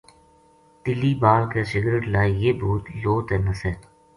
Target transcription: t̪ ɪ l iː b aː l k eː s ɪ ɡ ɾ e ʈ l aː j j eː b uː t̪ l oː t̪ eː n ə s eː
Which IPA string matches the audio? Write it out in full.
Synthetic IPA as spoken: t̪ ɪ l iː b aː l k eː s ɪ ɡ ɾ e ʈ l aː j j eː b uː t̪ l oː t̪ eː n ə s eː